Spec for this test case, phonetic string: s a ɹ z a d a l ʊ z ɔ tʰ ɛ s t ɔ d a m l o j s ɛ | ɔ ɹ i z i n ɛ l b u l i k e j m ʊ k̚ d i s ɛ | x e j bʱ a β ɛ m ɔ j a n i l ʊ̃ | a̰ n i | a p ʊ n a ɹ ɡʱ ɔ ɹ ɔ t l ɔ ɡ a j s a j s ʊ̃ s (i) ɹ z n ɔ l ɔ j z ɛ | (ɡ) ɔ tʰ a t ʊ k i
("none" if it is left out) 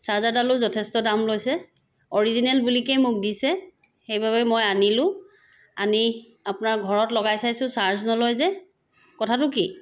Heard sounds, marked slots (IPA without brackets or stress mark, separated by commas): a, k